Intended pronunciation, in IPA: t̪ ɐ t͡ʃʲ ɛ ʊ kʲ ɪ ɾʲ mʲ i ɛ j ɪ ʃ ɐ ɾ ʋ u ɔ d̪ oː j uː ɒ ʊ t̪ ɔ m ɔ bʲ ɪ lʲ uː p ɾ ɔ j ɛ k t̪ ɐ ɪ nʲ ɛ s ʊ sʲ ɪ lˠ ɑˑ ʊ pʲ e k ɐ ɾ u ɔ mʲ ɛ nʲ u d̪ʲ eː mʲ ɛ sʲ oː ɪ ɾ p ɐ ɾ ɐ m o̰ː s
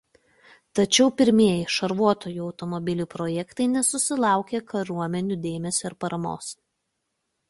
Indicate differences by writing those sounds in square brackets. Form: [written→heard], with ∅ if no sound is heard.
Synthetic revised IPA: t̪ ɐ t͡ʃʲ ɛ ʊ [kʲ→pʲ] ɪ ɾʲ mʲ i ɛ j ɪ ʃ ɐ ɾ ʋ u ɔ [d̪→t̪] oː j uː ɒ ʊ t̪ ɔ m ɔ bʲ ɪ lʲ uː p ɾ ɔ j ɛ k t̪ ɐ ɪ nʲ ɛ s ʊ sʲ ɪ lˠ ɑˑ ʊ [pʲ→kʲ] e k ɐ ɾ u ɔ mʲ ɛ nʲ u d̪ʲ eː mʲ ɛ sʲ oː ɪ ɾ p ɐ ɾ ɐ m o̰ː s